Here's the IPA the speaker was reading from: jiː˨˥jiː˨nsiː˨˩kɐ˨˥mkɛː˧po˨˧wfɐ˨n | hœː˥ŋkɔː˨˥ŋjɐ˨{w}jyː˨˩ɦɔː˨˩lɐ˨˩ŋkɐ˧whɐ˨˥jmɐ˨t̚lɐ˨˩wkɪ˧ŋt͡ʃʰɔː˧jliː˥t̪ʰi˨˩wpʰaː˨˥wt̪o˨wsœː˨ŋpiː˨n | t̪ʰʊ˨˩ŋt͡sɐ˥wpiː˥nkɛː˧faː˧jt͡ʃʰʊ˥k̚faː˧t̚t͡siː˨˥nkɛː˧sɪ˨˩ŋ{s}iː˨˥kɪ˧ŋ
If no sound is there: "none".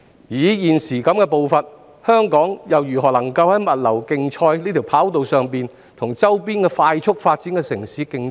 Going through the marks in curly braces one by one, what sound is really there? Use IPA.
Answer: w, s

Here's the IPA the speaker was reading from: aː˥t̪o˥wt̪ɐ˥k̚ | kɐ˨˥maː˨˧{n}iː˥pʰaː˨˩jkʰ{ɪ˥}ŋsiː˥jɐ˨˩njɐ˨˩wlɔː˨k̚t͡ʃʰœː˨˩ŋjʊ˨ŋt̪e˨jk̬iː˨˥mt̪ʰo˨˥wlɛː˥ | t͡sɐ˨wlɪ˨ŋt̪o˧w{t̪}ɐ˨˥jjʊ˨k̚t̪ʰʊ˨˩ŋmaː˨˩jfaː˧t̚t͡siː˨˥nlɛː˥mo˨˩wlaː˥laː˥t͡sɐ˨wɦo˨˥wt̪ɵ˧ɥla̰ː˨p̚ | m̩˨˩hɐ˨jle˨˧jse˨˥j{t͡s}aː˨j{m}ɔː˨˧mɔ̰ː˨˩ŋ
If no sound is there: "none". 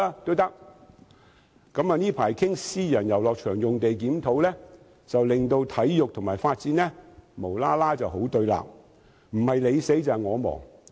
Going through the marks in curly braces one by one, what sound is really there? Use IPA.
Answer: n, ɪ˥, t̪ʰ, t͡s, ŋ

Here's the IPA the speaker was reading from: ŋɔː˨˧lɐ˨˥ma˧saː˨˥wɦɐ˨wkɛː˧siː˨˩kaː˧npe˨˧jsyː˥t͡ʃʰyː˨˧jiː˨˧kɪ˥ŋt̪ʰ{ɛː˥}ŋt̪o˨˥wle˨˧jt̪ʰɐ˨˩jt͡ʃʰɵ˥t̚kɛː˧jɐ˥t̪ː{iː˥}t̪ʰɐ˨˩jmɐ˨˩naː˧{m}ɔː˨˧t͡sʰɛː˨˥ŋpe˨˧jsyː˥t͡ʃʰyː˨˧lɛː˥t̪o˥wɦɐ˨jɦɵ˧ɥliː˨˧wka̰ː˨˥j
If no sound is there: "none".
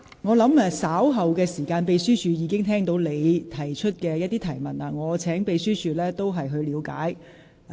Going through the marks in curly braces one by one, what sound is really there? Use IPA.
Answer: ɛː˥, iː˥, ŋ

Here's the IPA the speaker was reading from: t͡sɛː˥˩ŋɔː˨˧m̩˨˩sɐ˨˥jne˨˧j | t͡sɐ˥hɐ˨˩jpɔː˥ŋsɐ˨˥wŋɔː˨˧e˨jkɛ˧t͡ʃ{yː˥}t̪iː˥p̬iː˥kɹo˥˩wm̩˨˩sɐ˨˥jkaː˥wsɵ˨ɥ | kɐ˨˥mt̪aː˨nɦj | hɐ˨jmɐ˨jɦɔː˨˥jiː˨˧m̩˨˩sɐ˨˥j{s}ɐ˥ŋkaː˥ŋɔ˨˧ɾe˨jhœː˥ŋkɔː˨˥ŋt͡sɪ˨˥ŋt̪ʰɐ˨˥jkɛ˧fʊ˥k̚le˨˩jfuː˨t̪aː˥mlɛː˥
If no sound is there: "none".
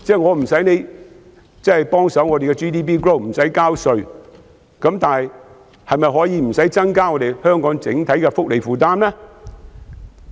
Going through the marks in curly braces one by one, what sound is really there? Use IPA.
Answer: iː˥, t͡s

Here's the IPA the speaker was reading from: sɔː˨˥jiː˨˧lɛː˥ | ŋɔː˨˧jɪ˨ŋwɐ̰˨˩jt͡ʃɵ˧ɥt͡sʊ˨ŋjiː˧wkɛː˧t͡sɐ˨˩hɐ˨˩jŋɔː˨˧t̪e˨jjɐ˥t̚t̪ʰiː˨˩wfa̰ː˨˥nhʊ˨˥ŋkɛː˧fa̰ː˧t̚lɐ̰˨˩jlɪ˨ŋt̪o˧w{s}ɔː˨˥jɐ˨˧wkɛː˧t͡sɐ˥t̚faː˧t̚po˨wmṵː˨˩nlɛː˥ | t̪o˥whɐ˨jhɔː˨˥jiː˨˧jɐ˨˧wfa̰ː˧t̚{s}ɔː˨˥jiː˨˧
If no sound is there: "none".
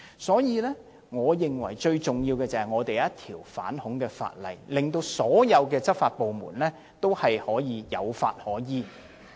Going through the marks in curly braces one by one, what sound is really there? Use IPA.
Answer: s, h

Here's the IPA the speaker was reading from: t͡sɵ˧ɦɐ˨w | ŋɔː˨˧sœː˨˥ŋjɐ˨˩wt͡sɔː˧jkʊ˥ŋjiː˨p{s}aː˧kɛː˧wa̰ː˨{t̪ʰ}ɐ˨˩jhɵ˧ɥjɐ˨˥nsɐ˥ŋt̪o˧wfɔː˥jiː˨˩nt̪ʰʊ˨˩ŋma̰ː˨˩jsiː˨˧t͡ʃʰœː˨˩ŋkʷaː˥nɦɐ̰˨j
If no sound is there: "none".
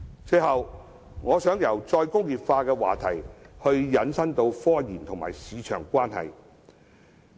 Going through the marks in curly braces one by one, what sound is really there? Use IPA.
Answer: f, t̪ʰ

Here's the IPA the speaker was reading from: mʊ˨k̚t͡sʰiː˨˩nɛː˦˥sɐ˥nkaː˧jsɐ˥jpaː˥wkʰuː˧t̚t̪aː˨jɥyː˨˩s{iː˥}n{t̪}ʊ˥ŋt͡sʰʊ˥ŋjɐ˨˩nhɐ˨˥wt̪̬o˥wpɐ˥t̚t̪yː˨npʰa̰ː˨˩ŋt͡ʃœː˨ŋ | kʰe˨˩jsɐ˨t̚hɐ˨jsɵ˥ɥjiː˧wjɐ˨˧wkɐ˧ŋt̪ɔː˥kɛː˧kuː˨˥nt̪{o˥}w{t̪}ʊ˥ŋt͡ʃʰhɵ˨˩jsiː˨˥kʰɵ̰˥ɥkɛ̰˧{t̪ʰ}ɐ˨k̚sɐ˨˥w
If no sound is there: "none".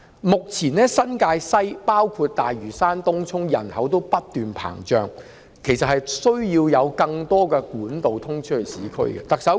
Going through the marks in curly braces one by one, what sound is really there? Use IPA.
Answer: aː˥, t̪, o˨, t̪ʰ, t̪

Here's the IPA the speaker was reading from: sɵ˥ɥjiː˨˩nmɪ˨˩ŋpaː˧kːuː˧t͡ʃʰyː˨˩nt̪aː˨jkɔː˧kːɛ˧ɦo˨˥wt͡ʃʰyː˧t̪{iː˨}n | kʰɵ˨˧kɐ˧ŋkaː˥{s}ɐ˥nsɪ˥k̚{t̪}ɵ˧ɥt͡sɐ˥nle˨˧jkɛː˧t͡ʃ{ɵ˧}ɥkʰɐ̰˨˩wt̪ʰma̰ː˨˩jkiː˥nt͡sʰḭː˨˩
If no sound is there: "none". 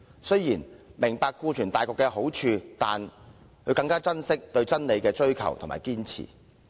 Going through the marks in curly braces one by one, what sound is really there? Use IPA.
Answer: aː˨, t͡s, t̪, ɵ˥

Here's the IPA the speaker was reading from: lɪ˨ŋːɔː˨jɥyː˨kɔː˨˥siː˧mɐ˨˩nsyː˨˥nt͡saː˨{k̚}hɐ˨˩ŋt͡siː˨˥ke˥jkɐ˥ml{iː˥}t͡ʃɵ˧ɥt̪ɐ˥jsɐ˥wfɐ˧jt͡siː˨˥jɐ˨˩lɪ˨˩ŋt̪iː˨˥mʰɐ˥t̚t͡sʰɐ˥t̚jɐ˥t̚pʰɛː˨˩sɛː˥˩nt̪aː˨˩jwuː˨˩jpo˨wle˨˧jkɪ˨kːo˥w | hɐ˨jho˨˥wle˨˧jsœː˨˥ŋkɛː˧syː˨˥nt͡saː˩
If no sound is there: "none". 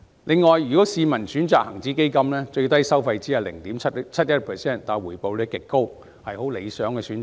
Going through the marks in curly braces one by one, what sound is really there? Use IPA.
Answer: k̚, ɛː˥

